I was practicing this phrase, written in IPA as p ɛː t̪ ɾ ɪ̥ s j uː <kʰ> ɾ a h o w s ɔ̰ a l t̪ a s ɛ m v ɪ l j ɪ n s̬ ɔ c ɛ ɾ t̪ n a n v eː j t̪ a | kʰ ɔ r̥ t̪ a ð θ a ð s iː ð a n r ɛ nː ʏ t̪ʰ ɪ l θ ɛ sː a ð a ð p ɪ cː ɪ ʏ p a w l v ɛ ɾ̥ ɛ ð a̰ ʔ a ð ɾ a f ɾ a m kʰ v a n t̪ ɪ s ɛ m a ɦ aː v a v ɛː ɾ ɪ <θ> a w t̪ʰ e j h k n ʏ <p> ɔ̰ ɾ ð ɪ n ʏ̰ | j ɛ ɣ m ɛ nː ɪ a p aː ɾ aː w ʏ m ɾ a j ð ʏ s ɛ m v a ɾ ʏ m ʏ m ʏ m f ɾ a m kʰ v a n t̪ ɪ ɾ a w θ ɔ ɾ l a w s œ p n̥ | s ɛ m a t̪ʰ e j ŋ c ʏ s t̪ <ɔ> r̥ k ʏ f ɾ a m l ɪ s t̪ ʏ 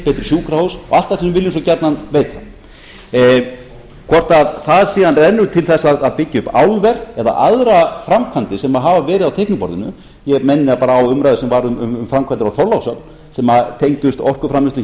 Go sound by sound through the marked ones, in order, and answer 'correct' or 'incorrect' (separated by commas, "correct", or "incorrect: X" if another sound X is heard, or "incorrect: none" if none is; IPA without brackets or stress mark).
incorrect: k, incorrect: ð, correct, correct